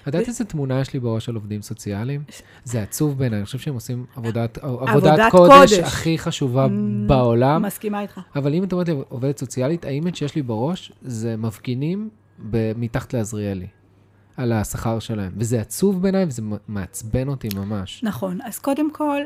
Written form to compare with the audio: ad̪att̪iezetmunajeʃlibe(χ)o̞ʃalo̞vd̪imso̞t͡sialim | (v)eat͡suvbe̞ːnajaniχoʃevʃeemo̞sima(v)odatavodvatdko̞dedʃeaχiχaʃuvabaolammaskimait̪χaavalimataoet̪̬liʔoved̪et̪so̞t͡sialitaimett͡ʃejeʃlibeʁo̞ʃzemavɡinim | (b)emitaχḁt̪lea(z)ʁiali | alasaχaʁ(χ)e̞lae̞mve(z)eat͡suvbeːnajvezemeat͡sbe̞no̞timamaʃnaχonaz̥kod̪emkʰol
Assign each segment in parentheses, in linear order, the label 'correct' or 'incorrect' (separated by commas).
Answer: incorrect, incorrect, correct, correct, correct, incorrect, correct